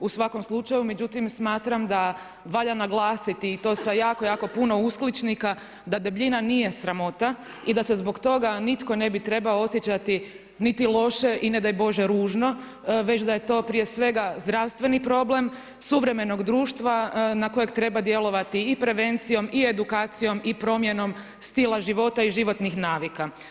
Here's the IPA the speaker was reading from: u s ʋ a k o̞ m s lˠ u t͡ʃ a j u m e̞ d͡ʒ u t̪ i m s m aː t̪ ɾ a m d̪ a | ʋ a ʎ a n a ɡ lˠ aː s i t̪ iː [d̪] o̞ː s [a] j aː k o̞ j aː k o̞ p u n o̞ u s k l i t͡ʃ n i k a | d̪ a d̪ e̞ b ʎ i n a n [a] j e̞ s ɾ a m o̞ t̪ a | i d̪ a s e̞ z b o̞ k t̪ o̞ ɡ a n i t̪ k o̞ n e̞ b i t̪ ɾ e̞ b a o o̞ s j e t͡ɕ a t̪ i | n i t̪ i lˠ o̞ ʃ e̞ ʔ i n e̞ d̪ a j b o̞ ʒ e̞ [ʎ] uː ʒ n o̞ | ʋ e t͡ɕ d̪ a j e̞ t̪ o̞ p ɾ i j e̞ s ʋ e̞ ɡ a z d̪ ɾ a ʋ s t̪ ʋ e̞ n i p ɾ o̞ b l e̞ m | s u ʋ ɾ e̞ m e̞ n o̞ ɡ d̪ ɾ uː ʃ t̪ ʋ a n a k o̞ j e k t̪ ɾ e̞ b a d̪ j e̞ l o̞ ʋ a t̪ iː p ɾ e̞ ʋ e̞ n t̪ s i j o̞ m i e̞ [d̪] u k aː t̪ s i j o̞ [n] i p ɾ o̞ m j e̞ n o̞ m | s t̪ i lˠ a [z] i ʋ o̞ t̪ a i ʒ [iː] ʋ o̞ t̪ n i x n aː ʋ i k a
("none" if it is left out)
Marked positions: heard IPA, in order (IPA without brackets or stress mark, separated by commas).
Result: t̪, a, i, ɾ, d̪, m, ʒ, i